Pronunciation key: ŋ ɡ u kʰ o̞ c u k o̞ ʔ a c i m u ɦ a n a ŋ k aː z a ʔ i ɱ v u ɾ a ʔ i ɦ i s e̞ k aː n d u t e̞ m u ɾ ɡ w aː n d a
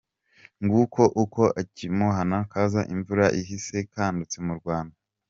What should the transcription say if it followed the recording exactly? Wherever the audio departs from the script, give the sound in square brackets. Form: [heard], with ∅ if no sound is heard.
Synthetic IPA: ŋ ɡ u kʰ o̞ [ʔ] u k o̞ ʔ a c i m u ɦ a n a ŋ k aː z a ʔ i ɱ v u ɾ a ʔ i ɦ i s e̞ k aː n d u [t͡s] e̞ m u ɾ ɡ w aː n d a